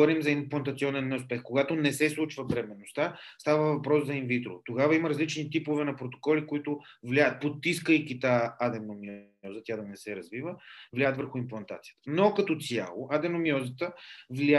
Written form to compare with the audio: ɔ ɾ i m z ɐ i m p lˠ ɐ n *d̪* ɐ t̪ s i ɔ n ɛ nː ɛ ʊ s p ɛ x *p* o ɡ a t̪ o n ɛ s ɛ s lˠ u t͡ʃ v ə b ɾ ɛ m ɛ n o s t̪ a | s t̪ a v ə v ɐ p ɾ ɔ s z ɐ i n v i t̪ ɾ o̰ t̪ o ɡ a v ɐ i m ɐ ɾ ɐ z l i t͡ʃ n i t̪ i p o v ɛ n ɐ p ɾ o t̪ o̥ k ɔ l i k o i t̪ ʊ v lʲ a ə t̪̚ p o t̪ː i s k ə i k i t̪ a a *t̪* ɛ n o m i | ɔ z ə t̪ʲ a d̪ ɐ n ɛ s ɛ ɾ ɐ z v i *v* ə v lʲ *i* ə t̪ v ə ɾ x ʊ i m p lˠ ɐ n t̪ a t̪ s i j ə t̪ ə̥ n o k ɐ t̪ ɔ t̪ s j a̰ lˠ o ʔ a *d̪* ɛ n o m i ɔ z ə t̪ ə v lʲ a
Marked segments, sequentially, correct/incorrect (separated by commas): incorrect, incorrect, incorrect, correct, incorrect, correct